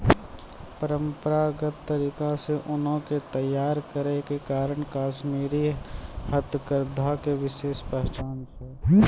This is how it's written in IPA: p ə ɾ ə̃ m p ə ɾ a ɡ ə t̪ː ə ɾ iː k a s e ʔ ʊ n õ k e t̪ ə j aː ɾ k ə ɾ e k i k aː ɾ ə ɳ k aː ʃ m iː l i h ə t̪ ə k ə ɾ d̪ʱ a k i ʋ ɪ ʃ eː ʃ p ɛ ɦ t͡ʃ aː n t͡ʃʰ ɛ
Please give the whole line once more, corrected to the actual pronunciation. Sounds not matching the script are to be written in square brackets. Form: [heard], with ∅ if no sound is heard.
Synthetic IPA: p ə ɾ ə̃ m p ə ɾ a ɡ ə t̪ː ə ɾ iː k a s e ʔ ʊ n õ k e t̪ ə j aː ɾ k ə ɾ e k [e] k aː ɾ ə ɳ k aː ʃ m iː [ɾ] i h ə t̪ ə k ə ɾ d̪ʱ a k [e] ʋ ɪ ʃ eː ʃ p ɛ ɦ t͡ʃ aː n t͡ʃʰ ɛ